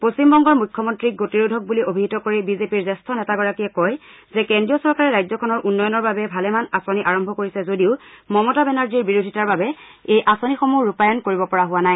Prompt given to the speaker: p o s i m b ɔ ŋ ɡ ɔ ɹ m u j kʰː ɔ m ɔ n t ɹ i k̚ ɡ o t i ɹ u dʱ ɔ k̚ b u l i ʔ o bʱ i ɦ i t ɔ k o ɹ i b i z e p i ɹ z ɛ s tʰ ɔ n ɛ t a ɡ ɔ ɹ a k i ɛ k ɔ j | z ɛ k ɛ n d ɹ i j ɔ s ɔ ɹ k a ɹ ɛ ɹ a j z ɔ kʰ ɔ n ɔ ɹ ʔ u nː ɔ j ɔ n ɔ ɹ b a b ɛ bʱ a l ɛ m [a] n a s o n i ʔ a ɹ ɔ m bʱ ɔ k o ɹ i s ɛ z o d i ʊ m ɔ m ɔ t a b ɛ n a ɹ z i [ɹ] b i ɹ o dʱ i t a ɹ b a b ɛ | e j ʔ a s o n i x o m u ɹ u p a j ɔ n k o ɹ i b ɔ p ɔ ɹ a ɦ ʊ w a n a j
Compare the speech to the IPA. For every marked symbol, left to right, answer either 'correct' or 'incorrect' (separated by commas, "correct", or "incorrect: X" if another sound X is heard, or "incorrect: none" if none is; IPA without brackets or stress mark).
correct, correct